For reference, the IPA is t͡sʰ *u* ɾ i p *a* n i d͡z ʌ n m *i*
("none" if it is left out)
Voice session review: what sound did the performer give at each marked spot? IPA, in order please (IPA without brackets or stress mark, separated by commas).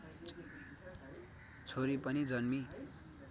o, ʌ, i